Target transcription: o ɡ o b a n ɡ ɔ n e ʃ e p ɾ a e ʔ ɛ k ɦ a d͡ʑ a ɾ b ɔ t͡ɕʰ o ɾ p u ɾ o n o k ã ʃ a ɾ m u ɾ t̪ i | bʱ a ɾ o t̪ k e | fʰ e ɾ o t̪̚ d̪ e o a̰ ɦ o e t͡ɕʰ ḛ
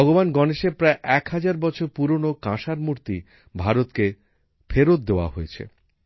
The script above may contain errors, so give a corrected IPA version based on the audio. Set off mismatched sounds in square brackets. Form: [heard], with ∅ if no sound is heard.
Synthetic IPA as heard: [ɔ] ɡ o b a n ɡ ɔ n e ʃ e p ɾ a e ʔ ɛ k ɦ a d͡ʑ a ɾ b ɔ t͡ɕʰ o ɾ p u ɾ o n o k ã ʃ a ɾ m u ɾ t̪ i | bʱ a ɾ o t̪ k e | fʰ e ɾ o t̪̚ d̪ e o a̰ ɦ o e t͡ɕʰ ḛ

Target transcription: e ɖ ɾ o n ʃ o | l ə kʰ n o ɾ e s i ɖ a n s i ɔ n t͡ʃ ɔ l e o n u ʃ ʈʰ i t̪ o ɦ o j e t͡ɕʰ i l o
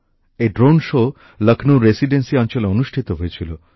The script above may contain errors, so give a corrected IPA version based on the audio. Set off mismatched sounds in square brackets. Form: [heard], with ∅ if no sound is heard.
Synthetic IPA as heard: e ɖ ɾ o n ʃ o | l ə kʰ n o ɾ e s i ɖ [e] n s i ɔ n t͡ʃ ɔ l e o n u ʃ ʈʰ i t̪ o ɦ o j e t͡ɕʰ i l o

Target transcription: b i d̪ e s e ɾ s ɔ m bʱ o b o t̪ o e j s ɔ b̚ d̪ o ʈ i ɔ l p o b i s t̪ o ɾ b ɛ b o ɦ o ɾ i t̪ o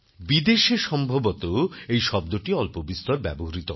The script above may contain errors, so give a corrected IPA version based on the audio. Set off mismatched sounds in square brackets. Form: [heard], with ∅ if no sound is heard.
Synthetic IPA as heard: b i d̪ e [ʃ] e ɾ [ʃ] ɔ m bʱ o b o t̪ o e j [ʃ] ɔ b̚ d̪ o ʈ i ɔ l p o b i s t̪ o ɾ b ɛ b o ɦ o ɾ i t̪ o

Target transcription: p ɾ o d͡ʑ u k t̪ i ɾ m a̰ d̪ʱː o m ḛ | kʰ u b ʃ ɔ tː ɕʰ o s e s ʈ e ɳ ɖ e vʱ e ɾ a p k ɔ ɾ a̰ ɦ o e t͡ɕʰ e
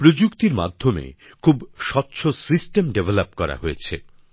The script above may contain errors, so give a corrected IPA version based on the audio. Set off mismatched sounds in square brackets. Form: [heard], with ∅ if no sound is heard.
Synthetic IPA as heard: p ɾ o d͡ʑ u k t̪ i ɾ m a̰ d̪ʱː o m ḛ | kʰ u b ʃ ɔ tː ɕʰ o s [i] s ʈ e [m] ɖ e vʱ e [l] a p k ɔ ɾ a̰ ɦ o e t͡ɕʰ e

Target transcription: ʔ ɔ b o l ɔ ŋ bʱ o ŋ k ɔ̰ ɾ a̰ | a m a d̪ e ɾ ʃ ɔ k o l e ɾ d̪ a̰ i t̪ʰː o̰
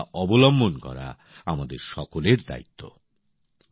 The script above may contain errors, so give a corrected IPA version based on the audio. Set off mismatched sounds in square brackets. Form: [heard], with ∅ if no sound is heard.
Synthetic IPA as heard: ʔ ɔ b o l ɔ [m] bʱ o [n] k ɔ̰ ɾ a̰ | a m a d̪ e ɾ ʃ ɔ k o l e ɾ d̪ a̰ i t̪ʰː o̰

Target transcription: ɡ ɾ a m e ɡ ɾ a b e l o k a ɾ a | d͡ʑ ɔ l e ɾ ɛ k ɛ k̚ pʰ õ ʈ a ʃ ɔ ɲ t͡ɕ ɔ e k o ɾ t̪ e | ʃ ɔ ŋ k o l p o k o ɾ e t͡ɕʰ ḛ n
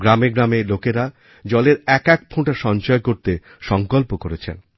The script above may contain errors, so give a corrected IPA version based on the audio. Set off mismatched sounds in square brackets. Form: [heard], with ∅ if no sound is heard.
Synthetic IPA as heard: ɡ ɾ a m e ɡ ɾ a [m] e l o k [e] ɾ a | d͡ʑ ɔ l e ɾ ɛ k ɛ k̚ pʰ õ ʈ a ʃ ɔ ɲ t͡ɕ ɔ e k o ɾ t̪ e | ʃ ɔ ŋ k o l p o k o ɾ e t͡ɕʰ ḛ n

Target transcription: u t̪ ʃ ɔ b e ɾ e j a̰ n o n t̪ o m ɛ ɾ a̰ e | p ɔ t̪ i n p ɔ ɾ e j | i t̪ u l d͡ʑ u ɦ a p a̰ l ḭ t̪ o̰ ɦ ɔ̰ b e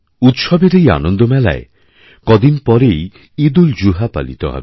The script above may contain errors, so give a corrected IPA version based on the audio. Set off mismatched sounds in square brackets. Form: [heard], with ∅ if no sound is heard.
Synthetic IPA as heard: u t̪ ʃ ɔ b e ɾ e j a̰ n o n [d̪] o m ɛ [l] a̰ e | [k] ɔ [d̪] i n p ɔ ɾ e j | i [d̪] u l d͡ʑ u ɦ a p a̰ l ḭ t̪ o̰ ɦ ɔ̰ b e

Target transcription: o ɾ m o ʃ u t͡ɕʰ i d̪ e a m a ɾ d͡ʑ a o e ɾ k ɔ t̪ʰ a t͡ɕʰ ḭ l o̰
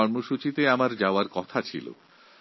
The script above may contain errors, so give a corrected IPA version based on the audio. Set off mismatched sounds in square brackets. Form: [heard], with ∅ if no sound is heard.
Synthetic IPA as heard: [ɔ] ɾ m o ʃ u [t͡ɕ] i [t̪] e a m a ɾ d͡ʑ a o [a] ɾ k ɔ t̪ʰ a t͡ɕʰ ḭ l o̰

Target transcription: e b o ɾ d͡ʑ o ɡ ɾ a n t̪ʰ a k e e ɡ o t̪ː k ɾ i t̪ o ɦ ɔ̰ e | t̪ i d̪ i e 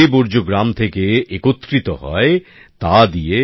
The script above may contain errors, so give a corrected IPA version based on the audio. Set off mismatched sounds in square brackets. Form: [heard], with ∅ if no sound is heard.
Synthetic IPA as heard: e b o ɾ d͡ʑ o ɡ ɾ a [m] t̪ʰ [e] k e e [k] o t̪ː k ɾ i t̪ o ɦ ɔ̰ e | t̪ [a] d̪ i e

